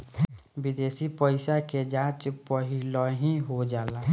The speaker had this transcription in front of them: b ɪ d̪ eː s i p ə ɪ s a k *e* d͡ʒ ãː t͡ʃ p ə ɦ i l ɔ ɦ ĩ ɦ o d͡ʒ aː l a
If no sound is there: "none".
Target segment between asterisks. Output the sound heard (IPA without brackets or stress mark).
e